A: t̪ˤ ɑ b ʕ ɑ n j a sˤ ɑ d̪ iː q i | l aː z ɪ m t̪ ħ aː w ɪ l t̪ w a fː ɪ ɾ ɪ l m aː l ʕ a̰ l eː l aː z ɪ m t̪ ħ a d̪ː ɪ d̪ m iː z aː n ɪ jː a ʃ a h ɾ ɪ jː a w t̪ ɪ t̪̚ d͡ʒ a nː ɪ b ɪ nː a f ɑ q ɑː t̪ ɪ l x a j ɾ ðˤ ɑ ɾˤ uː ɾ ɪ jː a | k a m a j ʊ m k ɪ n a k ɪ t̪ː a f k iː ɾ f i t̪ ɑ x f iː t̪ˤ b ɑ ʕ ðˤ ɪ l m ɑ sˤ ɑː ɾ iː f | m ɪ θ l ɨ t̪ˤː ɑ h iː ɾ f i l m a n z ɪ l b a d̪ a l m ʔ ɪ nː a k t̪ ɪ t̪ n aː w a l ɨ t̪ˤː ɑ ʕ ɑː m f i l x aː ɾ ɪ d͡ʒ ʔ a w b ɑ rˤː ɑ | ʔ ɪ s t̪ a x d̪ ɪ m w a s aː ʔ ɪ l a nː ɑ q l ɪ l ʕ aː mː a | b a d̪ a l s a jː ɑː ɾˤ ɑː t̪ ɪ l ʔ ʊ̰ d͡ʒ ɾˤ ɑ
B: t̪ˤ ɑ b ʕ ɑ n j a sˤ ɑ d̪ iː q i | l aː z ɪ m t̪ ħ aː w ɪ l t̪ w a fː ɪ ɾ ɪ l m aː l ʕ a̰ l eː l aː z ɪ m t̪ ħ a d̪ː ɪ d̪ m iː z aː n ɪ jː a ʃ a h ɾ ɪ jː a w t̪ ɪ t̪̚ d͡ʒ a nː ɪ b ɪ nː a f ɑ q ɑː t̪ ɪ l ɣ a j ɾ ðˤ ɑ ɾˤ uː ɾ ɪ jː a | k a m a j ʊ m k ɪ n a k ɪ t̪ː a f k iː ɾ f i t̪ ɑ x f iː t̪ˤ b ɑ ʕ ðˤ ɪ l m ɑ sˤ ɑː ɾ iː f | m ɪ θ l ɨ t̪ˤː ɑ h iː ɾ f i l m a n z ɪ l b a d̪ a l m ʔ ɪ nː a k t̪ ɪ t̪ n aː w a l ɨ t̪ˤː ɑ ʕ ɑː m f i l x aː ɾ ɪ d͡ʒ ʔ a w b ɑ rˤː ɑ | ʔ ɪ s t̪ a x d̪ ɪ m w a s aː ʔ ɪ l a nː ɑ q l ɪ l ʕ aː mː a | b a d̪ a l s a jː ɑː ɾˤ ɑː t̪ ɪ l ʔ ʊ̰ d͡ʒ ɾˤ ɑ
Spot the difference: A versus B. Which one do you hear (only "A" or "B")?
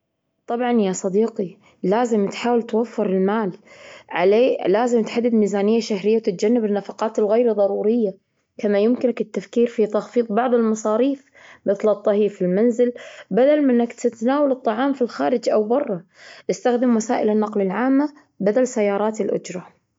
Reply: B